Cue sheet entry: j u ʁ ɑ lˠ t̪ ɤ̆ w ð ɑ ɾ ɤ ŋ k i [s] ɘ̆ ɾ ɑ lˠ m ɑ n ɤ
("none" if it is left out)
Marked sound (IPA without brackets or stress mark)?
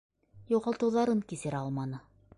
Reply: s